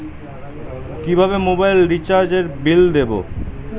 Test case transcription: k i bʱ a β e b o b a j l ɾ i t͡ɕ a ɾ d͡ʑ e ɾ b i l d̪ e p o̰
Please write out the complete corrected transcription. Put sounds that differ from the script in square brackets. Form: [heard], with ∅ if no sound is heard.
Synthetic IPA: k i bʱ a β e [m] o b a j l ɾ i t͡ɕ a ɾ d͡ʑ e ɾ b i l d̪ e [b] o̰